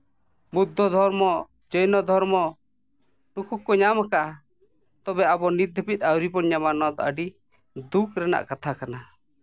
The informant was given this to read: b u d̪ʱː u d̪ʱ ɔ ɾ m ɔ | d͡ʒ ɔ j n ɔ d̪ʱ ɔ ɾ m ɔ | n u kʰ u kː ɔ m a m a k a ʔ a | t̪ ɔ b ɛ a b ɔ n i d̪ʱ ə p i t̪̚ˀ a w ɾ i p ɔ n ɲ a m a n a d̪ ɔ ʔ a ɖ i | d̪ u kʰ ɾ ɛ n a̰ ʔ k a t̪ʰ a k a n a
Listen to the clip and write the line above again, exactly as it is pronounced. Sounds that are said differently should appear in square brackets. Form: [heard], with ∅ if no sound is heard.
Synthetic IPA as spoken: b u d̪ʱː [ɔ] d̪ʱ ɔ ɾ m ɔ | d͡ʒ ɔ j n ɔ d̪ʱ ɔ ɾ m ɔ | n u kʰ u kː ɔ [ɲ] a m a k a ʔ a | t̪ ɔ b ɛ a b ɔ n i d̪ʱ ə p i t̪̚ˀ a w ɾ i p ɔ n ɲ a m a n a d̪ ɔ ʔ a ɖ i | d̪ u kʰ ɾ ɛ n a̰ ʔ k a t̪ʰ a k a n a